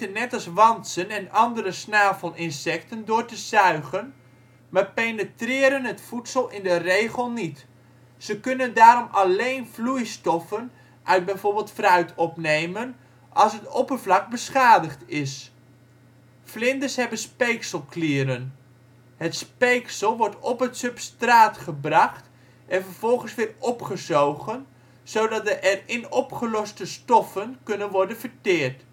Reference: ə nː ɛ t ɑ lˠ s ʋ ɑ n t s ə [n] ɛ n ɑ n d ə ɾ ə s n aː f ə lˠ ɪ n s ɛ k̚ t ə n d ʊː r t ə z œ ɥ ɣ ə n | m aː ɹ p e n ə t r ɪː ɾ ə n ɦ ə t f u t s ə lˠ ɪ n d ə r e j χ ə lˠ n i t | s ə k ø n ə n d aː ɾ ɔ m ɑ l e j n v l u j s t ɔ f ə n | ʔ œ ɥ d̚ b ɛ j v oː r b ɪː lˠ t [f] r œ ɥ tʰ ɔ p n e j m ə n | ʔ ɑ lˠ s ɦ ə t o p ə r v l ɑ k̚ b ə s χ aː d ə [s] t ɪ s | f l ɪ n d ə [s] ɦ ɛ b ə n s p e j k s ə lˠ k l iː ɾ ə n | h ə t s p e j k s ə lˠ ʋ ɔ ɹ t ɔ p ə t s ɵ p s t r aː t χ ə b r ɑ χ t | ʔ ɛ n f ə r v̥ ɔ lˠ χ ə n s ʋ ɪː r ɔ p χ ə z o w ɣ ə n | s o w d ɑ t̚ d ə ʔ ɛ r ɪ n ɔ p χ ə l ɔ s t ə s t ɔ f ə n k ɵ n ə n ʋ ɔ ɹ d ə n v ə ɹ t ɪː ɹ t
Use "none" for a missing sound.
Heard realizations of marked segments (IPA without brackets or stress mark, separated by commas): n, f, χ, s